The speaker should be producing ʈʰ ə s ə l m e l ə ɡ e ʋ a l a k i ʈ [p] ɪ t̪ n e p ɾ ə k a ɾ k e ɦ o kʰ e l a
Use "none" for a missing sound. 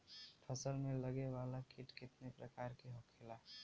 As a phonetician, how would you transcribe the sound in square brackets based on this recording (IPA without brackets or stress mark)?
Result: k